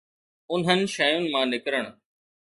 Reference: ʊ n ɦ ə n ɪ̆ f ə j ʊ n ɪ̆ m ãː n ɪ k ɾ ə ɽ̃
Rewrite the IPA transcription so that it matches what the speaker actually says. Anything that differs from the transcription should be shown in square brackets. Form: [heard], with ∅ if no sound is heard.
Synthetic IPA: ʊ n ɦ ə n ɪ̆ [ʃ] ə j ʊ n ɪ̆ m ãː n ɪ k ɾ ə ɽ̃